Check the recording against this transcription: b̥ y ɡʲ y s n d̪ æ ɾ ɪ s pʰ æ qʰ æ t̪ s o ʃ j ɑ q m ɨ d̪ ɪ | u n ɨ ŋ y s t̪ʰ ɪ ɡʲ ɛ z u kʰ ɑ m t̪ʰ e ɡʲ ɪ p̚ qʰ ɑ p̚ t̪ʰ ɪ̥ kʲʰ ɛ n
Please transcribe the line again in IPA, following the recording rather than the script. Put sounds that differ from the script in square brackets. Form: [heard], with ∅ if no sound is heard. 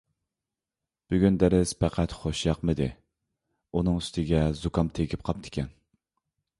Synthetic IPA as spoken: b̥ y ɡʲ y [∅] n d̪ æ ɾ ɪ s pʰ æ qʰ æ t̪ [χ] o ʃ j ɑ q m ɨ d̪ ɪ | u n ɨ ŋ y s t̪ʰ ɪ ɡʲ ɛ z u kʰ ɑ m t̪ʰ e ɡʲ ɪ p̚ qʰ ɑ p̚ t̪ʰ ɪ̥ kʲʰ ɛ n